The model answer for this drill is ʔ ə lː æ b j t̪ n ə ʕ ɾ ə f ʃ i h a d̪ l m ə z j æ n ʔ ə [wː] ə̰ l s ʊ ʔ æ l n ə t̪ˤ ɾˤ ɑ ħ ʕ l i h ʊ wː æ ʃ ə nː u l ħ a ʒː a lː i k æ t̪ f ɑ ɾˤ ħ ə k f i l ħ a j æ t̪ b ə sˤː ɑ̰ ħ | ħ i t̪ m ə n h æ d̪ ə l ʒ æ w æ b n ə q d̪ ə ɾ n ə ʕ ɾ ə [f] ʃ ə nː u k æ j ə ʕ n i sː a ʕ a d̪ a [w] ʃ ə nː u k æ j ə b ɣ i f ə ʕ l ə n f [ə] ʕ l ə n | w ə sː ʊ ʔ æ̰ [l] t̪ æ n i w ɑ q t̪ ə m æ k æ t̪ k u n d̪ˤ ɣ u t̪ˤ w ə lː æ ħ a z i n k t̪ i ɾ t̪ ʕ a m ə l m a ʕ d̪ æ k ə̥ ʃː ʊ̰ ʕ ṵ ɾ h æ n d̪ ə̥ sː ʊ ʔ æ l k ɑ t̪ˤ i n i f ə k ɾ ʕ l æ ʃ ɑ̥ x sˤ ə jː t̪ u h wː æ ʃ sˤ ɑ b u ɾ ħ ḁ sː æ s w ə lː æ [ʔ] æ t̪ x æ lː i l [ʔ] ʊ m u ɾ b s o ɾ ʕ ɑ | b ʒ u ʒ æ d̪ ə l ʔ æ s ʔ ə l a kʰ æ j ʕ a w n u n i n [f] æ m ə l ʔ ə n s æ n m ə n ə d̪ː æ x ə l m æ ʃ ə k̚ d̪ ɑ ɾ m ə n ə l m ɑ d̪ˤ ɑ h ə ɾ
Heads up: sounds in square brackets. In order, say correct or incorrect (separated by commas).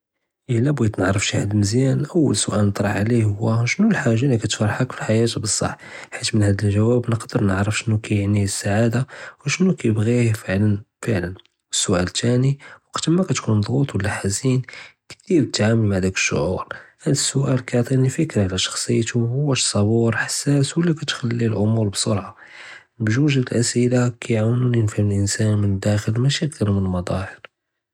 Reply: correct, correct, correct, correct, correct, incorrect, correct, correct